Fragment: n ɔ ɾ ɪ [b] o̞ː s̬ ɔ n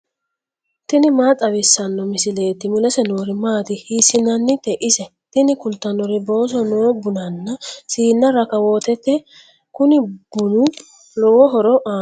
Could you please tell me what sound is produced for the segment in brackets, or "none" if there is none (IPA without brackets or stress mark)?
b